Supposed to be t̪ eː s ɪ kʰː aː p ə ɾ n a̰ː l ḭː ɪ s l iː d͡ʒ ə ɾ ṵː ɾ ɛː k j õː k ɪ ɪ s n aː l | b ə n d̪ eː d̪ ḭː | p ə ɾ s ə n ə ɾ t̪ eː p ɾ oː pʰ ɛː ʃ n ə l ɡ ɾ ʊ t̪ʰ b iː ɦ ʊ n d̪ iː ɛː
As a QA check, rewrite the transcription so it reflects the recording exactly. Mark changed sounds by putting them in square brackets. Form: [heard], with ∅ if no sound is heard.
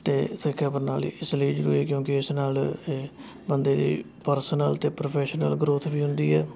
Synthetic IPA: t̪ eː s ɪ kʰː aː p ə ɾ n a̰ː l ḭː ɪ s l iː d͡ʒ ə ɾ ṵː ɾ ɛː k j õː k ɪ ɪ s n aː l | b ə n d̪ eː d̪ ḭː | p ə ɾ s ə n ə [l] t̪ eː p ɾ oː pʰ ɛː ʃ n ə l ɡ ɾ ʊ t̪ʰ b iː ɦ ʊ n d̪ iː ɛː

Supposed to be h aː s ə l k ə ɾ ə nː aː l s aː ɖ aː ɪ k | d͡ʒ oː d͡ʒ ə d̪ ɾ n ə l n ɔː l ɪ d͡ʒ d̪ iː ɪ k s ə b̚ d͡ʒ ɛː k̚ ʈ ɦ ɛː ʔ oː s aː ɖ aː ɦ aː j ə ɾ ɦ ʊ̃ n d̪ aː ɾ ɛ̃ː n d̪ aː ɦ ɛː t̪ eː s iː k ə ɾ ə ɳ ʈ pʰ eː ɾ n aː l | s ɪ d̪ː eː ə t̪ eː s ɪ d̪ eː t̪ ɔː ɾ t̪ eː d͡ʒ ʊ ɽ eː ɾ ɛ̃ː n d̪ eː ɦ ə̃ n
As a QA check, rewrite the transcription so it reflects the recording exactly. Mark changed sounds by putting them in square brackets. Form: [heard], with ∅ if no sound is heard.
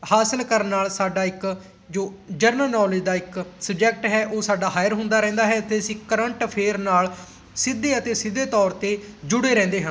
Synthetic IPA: h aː s ə l k ə ɾ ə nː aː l s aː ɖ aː ɪ k | d͡ʒ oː d͡ʒ ə [∅] ɾ n ə l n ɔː l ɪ d͡ʒ d̪ [aː] ɪ k s ə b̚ d͡ʒ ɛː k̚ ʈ ɦ ɛː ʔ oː s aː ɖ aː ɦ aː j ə ɾ ɦ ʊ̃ n d̪ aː ɾ ɛ̃ː n d̪ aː ɦ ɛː t̪ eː s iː k ə ɾ ə ɳ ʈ pʰ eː ɾ n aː l | s ɪ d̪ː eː ə t̪ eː s ɪ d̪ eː t̪ ɔː ɾ t̪ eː d͡ʒ ʊ ɽ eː ɾ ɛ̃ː n d̪ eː ɦ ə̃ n

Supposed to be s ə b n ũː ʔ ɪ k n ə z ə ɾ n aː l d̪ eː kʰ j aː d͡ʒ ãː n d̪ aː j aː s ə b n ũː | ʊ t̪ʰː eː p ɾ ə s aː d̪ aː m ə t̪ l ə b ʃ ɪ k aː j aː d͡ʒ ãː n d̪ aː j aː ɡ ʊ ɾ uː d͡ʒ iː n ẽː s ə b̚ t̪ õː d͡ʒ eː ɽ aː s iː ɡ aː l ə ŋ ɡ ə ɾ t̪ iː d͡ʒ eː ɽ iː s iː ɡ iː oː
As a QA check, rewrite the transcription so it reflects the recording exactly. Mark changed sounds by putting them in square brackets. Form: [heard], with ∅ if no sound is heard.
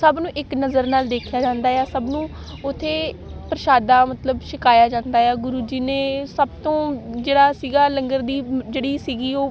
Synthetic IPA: s ə b n ũː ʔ ɪ k n ə z ə ɾ n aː l d̪ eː kʰ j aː d͡ʒ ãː n d̪ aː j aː s ə b n ũː | ʊ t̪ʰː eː p ɾ ə [ʃ] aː d̪ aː m ə t̪ l ə b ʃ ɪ k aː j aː d͡ʒ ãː n d̪ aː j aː ɡ ʊ ɾ uː d͡ʒ iː n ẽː s ə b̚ t̪ õː d͡ʒ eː ɽ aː s iː ɡ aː l ə ŋ ɡ ə ɾ [d̪] iː d͡ʒ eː ɽ iː s iː ɡ iː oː

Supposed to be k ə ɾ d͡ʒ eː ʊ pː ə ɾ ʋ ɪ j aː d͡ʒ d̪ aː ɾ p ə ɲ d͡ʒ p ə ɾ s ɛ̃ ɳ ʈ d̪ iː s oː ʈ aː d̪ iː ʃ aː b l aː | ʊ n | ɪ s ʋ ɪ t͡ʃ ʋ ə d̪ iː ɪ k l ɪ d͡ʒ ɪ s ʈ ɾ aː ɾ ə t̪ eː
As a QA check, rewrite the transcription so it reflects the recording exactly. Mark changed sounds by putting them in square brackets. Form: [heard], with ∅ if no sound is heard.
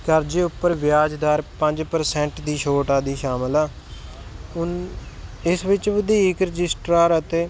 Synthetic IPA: k ə ɾ d͡ʒ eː ʊ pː ə ɾ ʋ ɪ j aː d͡ʒ d̪ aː ɾ p ə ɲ d͡ʒ p ə ɾ s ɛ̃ ɳ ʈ d̪ iː [ʃ] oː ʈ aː d̪ iː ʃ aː [m] l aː | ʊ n | ɪ s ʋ ɪ t͡ʃ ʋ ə d̪ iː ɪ k [ɾ] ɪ d͡ʒ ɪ s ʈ ɾ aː ɾ ə t̪ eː

